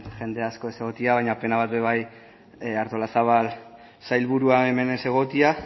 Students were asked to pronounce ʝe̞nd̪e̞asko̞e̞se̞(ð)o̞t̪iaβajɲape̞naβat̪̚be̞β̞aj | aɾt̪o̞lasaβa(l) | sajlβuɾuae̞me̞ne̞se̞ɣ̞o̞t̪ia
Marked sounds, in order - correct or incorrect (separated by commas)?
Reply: incorrect, correct